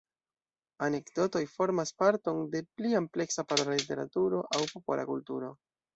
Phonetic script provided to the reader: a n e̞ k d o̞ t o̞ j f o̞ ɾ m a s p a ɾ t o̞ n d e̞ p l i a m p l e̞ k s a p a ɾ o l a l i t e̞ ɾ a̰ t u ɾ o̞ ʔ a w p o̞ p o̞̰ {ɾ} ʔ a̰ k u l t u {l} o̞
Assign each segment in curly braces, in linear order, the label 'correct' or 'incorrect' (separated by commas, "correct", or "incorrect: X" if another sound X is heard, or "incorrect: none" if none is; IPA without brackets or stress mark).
incorrect: l, incorrect: ɾ